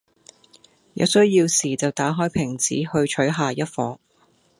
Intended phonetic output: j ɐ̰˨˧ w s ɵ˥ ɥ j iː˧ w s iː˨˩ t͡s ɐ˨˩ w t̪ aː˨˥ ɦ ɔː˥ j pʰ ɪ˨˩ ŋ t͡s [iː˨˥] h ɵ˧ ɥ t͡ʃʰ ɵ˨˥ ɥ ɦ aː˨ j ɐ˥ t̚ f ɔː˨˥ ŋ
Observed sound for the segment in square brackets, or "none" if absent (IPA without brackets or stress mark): iː˨˥